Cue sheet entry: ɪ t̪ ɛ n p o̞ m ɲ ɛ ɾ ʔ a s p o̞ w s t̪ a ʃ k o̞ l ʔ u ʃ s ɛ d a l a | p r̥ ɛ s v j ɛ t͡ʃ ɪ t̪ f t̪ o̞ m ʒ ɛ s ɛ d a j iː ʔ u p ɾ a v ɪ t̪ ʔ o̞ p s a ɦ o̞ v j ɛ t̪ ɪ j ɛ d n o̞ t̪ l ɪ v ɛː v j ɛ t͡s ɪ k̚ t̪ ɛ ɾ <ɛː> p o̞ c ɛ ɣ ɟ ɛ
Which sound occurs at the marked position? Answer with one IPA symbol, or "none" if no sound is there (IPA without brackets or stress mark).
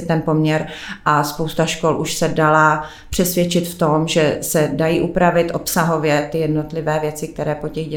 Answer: ɛː